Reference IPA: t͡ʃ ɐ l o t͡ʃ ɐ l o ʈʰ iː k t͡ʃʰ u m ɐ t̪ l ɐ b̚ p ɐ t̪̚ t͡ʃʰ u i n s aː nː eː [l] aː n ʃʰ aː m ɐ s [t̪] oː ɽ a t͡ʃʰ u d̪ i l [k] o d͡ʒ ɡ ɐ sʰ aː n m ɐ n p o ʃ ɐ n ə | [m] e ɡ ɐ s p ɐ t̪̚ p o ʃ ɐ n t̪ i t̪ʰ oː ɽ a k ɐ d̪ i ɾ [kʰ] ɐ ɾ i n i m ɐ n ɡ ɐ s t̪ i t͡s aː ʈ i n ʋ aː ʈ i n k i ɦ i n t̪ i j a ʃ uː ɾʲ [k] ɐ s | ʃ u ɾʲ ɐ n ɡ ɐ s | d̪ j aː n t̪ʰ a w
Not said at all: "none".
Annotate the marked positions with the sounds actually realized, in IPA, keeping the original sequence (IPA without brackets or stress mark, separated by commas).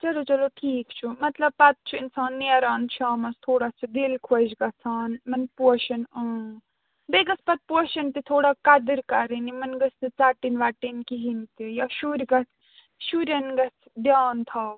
ɾ, t̪ʰ, kʰ, b, k, ɡ